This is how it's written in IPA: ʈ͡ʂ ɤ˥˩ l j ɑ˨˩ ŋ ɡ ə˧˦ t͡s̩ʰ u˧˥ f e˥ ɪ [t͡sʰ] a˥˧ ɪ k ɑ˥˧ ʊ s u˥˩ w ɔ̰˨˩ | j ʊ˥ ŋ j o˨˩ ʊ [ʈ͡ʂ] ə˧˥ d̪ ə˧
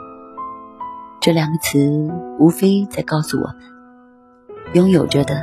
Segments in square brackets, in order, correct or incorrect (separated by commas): incorrect, correct